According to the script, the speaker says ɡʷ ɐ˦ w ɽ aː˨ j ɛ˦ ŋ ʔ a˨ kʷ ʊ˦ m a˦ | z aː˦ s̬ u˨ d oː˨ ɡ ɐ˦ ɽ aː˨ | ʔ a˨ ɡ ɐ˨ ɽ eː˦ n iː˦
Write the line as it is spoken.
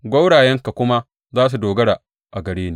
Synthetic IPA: ɡʷ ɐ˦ w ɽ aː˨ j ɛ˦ ŋ k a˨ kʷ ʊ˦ m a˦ | z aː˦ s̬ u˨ d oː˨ ɡ ɐ˦ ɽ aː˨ | ʔ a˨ ɡ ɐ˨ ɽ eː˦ n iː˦